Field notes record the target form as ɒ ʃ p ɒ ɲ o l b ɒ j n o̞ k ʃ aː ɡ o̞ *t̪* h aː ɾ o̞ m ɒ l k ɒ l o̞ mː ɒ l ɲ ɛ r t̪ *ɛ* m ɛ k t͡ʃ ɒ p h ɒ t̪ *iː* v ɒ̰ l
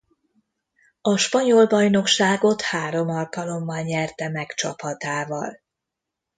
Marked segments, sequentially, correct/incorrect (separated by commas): correct, correct, incorrect